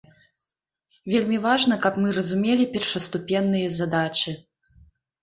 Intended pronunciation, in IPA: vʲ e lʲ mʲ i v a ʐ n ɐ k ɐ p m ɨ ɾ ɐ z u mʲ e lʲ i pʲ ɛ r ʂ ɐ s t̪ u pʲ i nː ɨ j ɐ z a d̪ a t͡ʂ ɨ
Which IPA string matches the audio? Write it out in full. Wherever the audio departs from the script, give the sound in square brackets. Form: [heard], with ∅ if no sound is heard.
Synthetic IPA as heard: vʲ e lʲ mʲ i v a ʐ n ɐ k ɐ p m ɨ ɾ ɐ z u mʲ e lʲ i pʲ ɛ r ʂ ɐ s t̪ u pʲ [ɛ] nː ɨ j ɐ z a d̪ a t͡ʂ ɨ